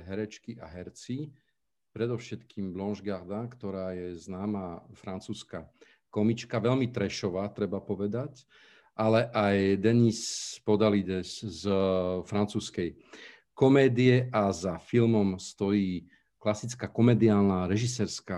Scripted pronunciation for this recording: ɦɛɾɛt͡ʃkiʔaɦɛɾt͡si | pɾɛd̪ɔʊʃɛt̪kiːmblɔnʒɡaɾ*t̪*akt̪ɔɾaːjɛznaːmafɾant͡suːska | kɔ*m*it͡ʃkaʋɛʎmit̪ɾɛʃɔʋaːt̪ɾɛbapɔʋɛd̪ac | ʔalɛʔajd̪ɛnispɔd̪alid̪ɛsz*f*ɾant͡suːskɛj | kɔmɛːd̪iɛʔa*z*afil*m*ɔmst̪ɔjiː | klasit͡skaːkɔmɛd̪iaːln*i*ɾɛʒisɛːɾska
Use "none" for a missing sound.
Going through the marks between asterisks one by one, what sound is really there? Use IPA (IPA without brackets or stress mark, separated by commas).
d̪, m, f, z, m, a